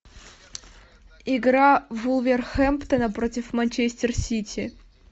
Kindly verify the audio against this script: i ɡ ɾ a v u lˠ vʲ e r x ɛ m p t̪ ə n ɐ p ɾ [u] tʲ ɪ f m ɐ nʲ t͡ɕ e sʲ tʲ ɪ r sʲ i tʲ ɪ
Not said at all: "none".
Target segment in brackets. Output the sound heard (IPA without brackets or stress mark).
o